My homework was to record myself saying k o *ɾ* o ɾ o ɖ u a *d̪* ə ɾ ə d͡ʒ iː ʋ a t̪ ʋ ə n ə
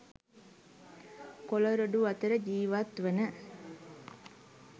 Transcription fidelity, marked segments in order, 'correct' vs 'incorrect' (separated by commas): incorrect, incorrect